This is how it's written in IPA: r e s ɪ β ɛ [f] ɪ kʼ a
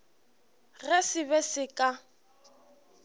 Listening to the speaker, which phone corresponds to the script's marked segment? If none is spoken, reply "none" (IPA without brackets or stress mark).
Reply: s